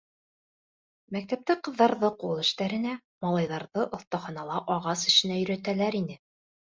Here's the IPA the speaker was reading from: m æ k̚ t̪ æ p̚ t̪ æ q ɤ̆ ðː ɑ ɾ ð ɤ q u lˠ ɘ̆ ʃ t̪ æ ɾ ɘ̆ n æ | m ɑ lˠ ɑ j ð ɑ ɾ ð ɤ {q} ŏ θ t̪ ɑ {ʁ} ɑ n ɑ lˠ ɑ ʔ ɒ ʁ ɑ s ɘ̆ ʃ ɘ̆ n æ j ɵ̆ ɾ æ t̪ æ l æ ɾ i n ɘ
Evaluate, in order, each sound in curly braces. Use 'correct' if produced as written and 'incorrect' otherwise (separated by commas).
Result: incorrect, incorrect